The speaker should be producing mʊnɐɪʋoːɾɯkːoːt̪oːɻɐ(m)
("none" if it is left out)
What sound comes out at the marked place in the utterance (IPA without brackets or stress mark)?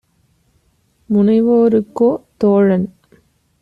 n